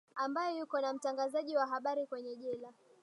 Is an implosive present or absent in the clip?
present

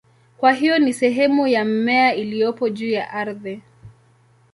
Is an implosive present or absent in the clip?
present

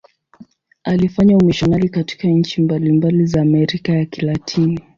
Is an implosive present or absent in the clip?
absent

